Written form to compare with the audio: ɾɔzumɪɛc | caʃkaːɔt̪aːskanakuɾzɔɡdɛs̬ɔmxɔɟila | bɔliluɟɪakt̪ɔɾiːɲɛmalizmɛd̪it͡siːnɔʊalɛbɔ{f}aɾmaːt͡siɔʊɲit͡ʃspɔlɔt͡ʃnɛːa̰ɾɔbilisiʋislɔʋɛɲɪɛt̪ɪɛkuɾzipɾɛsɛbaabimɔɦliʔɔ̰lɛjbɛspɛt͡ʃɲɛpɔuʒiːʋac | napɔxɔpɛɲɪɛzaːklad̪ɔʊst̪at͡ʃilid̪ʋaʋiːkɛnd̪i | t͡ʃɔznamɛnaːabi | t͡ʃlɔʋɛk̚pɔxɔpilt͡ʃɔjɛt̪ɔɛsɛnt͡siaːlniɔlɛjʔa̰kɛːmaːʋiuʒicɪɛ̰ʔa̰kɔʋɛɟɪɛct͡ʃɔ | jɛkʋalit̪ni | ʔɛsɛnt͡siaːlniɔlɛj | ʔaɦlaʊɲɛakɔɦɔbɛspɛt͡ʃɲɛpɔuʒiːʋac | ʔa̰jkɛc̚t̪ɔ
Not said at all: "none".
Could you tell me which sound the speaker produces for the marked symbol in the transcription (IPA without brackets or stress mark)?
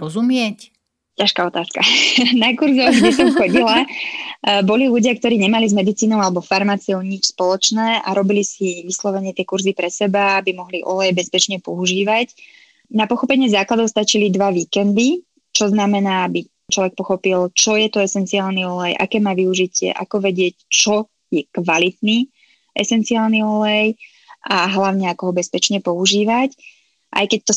f